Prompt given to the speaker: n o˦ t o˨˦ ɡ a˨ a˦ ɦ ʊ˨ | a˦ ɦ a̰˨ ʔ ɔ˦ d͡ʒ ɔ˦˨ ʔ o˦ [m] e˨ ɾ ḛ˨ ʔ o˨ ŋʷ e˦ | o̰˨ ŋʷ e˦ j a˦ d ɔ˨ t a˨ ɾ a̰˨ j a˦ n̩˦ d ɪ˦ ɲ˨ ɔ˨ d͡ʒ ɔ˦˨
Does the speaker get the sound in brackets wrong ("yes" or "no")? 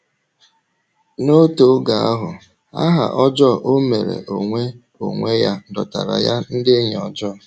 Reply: no